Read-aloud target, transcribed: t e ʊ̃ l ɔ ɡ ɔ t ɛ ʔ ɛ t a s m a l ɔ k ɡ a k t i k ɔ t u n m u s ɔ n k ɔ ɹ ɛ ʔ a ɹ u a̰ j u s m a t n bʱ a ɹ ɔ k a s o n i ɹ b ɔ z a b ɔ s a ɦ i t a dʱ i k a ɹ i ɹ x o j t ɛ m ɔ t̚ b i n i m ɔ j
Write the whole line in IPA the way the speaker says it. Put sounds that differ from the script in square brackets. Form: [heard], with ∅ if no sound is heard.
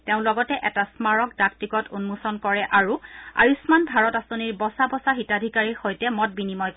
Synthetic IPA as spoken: t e ʊ̃ l ɔ ɡ ɔ t ɛ ʔ ɛ t a s m a [ɹ] ɔ k [d] a k t i k ɔ t u n m u s ɔ n k ɔ ɹ ɛ ʔ a ɹ u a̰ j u s m a [∅] n bʱ a ɹ ɔ [t] a s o n i ɹ b ɔ [s] a b ɔ s a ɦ i t a dʱ i k a ɹ i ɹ x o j t ɛ m ɔ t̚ b i n i m ɔ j

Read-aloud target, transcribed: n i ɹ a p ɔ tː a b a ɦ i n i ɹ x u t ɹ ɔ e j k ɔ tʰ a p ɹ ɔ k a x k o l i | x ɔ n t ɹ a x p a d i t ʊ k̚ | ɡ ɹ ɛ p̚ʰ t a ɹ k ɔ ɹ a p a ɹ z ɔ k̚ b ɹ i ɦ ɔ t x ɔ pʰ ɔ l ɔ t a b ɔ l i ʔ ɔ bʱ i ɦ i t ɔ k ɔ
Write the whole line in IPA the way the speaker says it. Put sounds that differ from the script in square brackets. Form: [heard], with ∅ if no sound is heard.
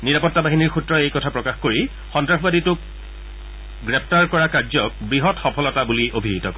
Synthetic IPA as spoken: n i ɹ a p ɔ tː a b a ɦ i n i ɹ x u t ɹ ɔ e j k ɔ tʰ a p ɹ ɔ k a x k o [ɹ] i | x ɔ n t ɹ a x [b] a d i t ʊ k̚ | ɡ ɹ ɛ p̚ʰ t a ɹ k ɔ ɹ a [k] a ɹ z ɔ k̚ b ɹ i ɦ ɔ t x ɔ pʰ ɔ l ɔ t a b [u] l i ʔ [o] bʱ i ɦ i t ɔ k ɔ

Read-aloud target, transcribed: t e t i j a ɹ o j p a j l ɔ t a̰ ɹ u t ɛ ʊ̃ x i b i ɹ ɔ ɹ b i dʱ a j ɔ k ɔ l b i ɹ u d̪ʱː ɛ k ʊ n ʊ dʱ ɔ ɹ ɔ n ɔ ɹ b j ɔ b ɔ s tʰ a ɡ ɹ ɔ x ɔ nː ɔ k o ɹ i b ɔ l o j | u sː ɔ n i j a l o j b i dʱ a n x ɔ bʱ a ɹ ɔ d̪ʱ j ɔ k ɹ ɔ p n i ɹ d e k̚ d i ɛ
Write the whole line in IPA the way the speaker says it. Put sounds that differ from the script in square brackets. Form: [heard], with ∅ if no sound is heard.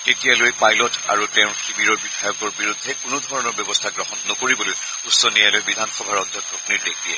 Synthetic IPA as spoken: t e t i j a [l] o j p a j l ɔ t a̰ ɹ u t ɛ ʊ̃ x i b i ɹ ɔ ɹ b i dʱ a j ɔ k ɔ [ɹ] b i ɹ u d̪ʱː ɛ k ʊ n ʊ dʱ ɔ ɹ ɔ n ɔ ɹ b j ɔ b ɔ s tʰ a ɡ ɹ ɔ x ɔ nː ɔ k o ɹ i b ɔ l o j | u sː ɔ n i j a l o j b i dʱ a n x ɔ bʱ a ɹ ɔ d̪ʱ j ɔ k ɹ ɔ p n i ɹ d e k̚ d i ɛ

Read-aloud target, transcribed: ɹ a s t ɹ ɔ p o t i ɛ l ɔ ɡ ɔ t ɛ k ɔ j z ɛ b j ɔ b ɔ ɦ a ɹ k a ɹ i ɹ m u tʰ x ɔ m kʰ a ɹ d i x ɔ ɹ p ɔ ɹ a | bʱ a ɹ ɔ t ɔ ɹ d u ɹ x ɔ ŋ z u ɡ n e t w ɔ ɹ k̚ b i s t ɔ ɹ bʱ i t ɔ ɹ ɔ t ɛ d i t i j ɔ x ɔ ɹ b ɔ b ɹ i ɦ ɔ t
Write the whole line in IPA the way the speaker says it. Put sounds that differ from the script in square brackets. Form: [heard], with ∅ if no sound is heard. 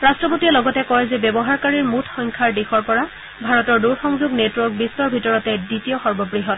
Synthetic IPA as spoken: ɹ a s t ɹ ɔ p o t i ɛ l ɔ ɡ ɔ t ɛ k ɔ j z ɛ b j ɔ b ɔ ɦ a ɹ k a ɹ i ɹ m u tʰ x ɔ [ŋ] kʰ a ɹ d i x ɔ ɹ p ɔ ɹ a | bʱ a ɹ ɔ t ɔ ɹ d u ɹ x ɔ ŋ z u ɡ n e t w ɔ ɹ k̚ b i s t ɔ ɹ bʱ i t ɔ ɹ ɔ t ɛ d i t i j ɔ x ɔ ɹ b ɔ b ɹ i ɦ ɔ t

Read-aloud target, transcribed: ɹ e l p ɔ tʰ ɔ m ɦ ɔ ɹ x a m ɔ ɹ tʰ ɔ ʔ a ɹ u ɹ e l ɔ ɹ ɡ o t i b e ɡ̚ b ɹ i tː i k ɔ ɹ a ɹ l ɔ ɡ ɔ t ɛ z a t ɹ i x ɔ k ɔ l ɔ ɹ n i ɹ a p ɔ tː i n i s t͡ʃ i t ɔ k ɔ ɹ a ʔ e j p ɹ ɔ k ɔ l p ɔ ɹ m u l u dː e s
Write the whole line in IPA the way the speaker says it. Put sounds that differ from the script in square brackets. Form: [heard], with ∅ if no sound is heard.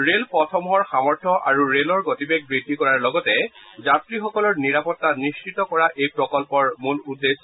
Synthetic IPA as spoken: ɹ e l p ɔ tʰ ɔ m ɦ ɔ ɹ x a m ɔ ɹ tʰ ɔ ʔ a ɹ u ɹ e l ɔ ɹ ɡ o t i b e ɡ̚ b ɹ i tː i k ɔ ɹ a ɹ l ɔ ɡ ɔ t ɛ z a t ɹ i x ɔ k ɔ l ɔ ɹ n i ɹ a p ɔ tː [a] n i s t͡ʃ i t ɔ k ɔ ɹ a ʔ e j p ɹ ɔ k ɔ l p ɔ ɹ m u l u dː e s

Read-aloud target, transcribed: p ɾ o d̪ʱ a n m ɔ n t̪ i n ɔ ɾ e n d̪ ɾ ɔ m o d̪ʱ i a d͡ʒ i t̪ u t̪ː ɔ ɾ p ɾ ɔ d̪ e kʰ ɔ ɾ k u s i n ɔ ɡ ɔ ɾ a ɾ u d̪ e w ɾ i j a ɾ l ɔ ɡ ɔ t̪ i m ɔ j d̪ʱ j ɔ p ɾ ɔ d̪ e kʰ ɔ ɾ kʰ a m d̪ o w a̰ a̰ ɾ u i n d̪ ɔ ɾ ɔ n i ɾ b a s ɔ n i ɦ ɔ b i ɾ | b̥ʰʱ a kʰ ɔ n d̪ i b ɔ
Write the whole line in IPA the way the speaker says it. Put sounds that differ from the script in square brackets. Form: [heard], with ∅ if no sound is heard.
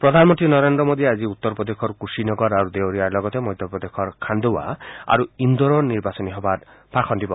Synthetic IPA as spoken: p ɾ [ɔ] d̪ʱ a n m ɔ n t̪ i n ɔ ɾ e n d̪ ɾ ɔ m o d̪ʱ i a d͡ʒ i [∅] u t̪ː ɔ ɾ p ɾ ɔ d̪ e kʰ ɔ ɾ k u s i n ɔ ɡ ɔ ɾ a ɾ u d̪ e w ɾ i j a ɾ l ɔ ɡ ɔ t̪ [e] m ɔ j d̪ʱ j ɔ p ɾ ɔ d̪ e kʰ ɔ ɾ kʰ a [n] d̪ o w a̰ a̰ ɾ u i n d̪ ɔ ɾ ɔ n i ɾ b a s ɔ n i ɦ ɔ b [a] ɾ | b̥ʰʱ a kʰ ɔ n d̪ i b ɔ

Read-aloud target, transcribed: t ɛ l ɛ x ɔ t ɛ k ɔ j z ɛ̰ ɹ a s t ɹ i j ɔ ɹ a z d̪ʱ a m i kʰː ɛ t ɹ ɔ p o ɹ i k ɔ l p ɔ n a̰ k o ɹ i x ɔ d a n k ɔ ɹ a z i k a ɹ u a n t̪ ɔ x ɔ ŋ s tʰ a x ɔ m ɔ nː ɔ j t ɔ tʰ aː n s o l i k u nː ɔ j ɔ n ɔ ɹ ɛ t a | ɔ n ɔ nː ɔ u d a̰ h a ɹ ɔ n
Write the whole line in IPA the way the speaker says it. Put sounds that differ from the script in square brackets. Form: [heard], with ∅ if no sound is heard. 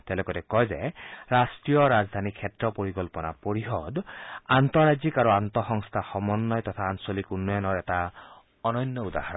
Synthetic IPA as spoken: t ɛ l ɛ [k] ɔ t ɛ k ɔ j z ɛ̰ ɹ a s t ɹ i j ɔ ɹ a z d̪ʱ a [n] i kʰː ɛ t ɹ ɔ p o ɹ i k ɔ l p ɔ n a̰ [p] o ɹ i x ɔ d a n [t] ɔ ɹ a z i k a ɹ u a n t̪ ɔ x ɔ ŋ s tʰ a x ɔ m ɔ nː ɔ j t ɔ tʰ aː n s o l i k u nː ɔ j ɔ n ɔ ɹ ɛ t a | ɔ n ɔ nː ɔ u d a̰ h a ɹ ɔ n

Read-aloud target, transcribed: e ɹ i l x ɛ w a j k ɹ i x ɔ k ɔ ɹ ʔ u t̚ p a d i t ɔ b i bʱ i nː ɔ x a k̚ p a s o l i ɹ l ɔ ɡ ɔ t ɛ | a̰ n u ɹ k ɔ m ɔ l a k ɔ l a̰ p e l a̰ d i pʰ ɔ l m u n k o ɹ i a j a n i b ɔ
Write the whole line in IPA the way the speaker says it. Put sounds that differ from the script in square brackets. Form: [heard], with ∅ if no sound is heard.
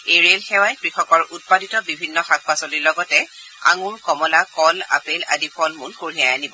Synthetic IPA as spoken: e ɹ [e] l x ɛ w a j k ɹ i x ɔ k ɔ ɹ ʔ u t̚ p a d i t ɔ b i bʱ i nː ɔ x a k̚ p a s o l i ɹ l ɔ ɡ ɔ t ɛ | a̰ [ŋ] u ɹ k ɔ m ɔ l a k ɔ l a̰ p e l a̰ d i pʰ ɔ l m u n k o ɹ i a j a n i b ɔ

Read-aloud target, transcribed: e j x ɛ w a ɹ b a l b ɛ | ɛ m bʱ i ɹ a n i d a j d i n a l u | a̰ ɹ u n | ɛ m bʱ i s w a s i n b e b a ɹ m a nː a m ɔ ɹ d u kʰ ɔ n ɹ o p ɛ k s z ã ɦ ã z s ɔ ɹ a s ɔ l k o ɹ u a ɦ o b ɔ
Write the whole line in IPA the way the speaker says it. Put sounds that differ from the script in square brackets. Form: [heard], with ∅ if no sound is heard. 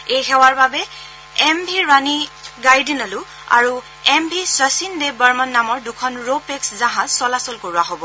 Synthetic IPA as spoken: e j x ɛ w a ɹ b a [∅] b ɛ | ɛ m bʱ i ɹ a n i [ɡ] a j d i n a l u | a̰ ɹ u [∅] | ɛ m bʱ i s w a s i n [d] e b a ɹ m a nː a m ɔ ɹ d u kʰ ɔ n ɹ o p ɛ k s z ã ɦ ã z s ɔ [l] a s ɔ l k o ɹ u a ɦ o b ɔ

